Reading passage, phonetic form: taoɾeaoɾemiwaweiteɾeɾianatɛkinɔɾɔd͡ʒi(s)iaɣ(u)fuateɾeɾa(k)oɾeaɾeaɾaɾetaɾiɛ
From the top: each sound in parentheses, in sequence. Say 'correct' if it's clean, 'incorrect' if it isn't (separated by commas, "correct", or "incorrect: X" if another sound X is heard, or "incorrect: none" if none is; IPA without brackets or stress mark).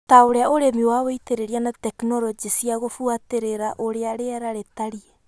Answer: correct, incorrect: o, incorrect: ʔ